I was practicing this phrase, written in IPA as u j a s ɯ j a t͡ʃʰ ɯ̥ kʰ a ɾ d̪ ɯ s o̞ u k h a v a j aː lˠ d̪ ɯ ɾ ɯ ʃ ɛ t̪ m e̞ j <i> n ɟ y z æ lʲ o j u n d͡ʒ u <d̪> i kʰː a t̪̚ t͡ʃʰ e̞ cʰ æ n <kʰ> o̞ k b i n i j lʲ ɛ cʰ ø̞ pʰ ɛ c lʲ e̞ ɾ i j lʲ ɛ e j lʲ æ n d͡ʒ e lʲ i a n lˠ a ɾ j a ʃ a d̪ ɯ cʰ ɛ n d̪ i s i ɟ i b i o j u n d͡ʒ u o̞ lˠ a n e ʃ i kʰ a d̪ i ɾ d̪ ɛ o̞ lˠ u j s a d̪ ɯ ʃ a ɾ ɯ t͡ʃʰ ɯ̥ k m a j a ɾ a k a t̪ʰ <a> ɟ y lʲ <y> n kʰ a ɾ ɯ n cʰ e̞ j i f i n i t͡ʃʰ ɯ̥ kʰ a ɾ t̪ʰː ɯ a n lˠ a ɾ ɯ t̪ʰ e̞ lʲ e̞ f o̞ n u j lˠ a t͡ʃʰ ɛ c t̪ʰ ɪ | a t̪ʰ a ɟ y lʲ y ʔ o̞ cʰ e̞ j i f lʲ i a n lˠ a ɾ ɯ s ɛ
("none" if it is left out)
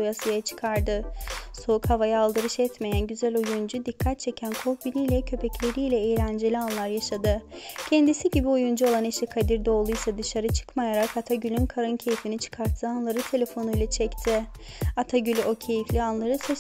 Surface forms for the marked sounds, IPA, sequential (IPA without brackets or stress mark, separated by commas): æ, d̪, kʰ, a, y